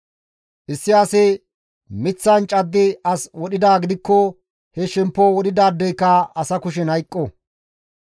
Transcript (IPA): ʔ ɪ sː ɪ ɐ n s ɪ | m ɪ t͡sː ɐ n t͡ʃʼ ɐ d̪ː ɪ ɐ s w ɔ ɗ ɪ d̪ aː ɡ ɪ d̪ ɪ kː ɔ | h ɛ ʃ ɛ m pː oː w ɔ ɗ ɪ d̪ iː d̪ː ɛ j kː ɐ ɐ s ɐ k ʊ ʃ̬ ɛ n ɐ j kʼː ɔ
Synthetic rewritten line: ʔ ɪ sː ɪ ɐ s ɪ | m ɪ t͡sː ɐ n t͡ʃʼ ɐ d̪ː ɪ ɐ s w ɔ ɗ ɪ d̪ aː ɡ ɪ d̪ ɪ kː ɔ | h ɛ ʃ ɛ m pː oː w ɔ ɗ ɪ d̪ aː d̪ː ɛ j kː ɐ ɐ s ɐ k ʊ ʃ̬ ɛ n ɐ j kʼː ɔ